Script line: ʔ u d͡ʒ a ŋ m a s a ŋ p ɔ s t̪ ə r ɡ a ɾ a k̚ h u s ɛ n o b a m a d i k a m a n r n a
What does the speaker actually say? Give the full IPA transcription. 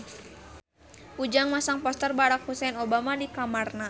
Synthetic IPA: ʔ u d͡ʒ a ŋ m a s a ŋ p ɔ s t̪ ə r b a ɾ a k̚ h u s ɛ n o b a m a d i k a m a r n a